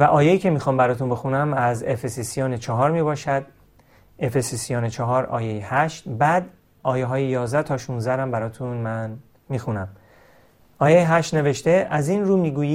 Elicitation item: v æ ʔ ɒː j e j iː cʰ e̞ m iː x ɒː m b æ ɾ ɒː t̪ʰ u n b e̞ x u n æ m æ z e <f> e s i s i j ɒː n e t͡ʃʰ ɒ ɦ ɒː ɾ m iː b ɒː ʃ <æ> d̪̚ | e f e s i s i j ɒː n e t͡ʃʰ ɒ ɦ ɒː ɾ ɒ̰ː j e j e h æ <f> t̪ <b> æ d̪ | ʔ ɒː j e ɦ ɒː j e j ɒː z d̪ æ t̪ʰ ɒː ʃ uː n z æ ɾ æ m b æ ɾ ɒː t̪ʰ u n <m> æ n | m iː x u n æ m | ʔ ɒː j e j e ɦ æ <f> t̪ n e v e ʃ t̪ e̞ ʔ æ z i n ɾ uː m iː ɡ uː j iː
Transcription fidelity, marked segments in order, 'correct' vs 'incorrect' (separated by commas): correct, correct, incorrect, correct, correct, incorrect